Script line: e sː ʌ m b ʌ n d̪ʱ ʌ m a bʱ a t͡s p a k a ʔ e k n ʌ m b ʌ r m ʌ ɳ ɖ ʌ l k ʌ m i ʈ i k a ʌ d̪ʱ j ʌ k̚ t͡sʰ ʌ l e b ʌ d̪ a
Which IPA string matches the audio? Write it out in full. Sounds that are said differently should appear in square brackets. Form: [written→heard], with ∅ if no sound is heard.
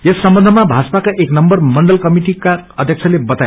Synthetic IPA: e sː ʌ m b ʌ n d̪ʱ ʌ m a bʱ a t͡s p a k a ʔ e k n ʌ m b ʌ r m ʌ ɳ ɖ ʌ l k ʌ m i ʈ i k a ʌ d̪ʱ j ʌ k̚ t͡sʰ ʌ l e b ʌ [d̪→t̪] a